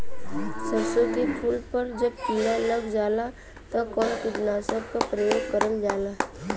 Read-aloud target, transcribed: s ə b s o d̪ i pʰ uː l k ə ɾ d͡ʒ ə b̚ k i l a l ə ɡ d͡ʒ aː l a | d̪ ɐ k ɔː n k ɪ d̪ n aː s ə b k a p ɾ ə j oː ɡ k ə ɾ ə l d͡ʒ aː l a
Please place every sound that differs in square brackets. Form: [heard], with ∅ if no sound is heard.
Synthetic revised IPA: s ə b s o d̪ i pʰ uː l [p] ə ɾ d͡ʒ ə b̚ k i l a l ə ɡ d͡ʒ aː l a | [t̪] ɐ k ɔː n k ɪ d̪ n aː s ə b k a p ɾ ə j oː ɡ k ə ɾ ə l d͡ʒ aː l a